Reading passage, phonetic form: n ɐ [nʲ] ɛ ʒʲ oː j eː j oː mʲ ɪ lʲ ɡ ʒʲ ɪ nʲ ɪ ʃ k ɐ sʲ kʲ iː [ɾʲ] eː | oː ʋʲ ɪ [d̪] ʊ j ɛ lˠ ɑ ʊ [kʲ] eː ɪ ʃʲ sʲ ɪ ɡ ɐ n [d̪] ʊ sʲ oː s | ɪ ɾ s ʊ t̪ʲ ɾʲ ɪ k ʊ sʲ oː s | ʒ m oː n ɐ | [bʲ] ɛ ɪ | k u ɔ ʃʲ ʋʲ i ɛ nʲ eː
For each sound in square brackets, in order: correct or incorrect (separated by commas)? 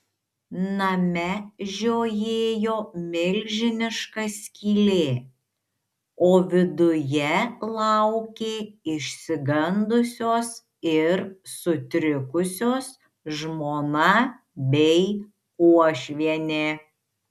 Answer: incorrect, incorrect, correct, correct, correct, correct